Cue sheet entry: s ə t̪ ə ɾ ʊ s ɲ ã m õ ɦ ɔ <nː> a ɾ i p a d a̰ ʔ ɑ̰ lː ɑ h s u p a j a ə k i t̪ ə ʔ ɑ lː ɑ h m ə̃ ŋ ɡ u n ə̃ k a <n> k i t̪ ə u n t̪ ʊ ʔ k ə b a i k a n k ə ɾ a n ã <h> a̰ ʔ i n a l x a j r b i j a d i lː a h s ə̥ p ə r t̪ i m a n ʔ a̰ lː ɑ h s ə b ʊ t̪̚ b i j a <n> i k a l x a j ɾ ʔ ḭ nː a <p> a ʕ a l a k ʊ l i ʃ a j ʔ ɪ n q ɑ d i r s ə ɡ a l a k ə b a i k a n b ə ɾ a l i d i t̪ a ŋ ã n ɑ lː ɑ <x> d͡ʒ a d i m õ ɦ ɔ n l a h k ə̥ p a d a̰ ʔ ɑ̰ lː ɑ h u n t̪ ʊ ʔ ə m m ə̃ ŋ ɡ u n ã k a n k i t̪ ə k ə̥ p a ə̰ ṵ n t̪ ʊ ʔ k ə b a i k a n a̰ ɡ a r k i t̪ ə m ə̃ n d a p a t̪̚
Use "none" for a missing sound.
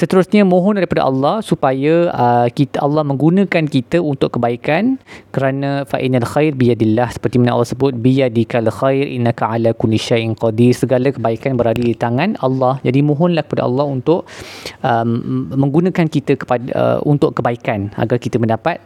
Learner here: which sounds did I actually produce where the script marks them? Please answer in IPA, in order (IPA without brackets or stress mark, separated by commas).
n, n, f, d, k, h